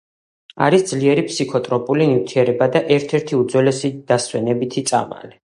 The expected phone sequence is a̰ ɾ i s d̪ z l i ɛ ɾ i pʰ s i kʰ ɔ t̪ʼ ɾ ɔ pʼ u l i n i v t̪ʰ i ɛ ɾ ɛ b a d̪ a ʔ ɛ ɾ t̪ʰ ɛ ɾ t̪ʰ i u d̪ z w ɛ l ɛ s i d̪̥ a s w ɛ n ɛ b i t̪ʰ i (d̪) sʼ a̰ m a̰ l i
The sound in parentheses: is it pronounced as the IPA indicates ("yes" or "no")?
no